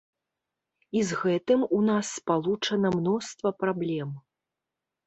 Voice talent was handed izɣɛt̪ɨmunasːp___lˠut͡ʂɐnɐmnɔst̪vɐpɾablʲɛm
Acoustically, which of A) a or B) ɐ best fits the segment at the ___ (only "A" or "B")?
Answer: A